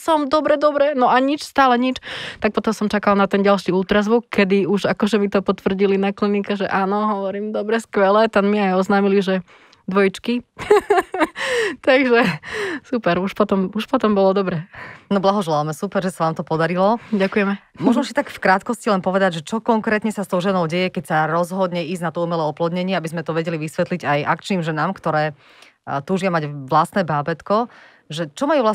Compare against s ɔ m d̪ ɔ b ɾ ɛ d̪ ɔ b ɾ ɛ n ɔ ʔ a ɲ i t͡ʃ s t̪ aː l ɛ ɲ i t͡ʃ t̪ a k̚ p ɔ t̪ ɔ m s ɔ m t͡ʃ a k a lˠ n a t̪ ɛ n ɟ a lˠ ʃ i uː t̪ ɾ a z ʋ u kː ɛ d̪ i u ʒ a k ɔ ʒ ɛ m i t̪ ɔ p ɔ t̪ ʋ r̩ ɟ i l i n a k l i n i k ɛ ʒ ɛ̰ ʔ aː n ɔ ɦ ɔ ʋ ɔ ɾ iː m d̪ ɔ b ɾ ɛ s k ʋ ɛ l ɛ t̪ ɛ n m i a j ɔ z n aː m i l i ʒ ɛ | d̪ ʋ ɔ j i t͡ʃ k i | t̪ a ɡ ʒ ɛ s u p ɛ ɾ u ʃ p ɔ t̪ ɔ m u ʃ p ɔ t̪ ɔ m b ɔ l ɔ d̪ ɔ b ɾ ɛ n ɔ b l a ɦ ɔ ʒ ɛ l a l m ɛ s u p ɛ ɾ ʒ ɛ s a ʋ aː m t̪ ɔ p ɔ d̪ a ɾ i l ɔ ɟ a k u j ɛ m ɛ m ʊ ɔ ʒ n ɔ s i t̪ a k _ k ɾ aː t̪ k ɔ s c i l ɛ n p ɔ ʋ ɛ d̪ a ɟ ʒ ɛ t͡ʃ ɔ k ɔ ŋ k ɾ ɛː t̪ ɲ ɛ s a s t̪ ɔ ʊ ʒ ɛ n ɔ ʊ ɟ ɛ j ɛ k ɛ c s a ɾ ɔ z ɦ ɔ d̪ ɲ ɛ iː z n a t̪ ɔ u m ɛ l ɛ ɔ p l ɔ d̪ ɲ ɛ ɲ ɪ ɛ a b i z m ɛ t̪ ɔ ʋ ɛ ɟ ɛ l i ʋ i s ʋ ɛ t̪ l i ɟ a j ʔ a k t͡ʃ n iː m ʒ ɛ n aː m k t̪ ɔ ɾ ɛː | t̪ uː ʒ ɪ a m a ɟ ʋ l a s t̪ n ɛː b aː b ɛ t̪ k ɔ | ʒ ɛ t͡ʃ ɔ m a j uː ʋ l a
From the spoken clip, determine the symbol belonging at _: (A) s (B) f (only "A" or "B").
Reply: B